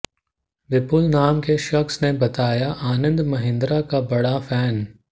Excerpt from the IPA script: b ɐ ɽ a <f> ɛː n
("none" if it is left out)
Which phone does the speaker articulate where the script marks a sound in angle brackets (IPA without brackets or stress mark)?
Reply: f